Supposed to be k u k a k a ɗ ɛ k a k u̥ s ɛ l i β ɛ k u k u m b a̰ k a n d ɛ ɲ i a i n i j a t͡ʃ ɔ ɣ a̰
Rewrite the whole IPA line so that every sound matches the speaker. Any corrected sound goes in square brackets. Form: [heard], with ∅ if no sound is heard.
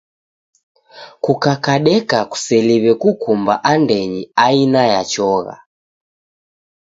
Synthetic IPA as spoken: k u k a k a ɗ ɛ k a k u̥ s ɛ l i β ɛ k u k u m b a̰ [ʔ] a n d ɛ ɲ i a i n [a] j a t͡ʃ ɔ ɣ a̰

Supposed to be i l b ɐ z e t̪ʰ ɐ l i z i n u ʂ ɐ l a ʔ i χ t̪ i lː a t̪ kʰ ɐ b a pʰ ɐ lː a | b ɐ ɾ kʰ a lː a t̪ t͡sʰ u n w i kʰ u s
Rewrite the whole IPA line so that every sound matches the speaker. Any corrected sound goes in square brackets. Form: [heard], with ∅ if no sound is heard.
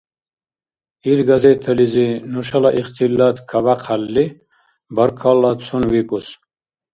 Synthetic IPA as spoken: i l [ɡ] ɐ z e t̪ʰ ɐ l i z i n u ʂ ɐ l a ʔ i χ t̪ i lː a t̪ kʰ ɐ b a [qʰ] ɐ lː [i] | b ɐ ɾ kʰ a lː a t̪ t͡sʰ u n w i [k] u s

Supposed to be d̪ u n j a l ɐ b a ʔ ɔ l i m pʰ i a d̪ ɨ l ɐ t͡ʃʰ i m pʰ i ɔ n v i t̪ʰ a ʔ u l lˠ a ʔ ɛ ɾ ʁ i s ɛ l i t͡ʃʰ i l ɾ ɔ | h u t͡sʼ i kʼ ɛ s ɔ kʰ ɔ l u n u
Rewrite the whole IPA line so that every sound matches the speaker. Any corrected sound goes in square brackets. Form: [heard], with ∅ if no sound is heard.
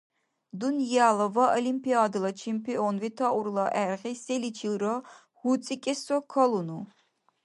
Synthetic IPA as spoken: d̪ u n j a l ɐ [v] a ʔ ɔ l i m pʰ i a d̪ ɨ l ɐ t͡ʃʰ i m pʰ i ɔ n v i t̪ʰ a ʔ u [ɾ] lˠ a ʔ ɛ ɾ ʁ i s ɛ l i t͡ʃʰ i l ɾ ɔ | h u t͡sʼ i kʼ ɛ s ɔ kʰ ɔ l u n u

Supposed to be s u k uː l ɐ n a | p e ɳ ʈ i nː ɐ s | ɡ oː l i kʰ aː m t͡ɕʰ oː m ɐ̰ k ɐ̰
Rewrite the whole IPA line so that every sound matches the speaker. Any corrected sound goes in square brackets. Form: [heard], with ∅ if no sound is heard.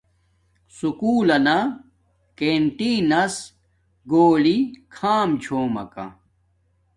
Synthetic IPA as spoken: s u k uː l ɐ n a | [k] e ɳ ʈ i [n] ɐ s | ɡ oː l i kʰ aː m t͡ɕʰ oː m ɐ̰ k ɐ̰

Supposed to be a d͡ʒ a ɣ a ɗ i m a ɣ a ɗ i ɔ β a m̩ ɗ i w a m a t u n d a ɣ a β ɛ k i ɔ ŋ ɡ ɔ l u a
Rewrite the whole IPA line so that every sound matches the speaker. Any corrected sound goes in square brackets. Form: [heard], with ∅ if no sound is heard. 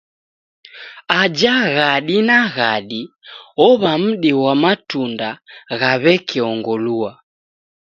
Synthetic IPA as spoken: a d͡ʒ a ɣ a ɗ i [n] a ɣ a ɗ i ɔ β a m̩ ɗ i w a m a t u n d a ɣ a β ɛ k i ɔ ŋ ɡ ɔ l u a

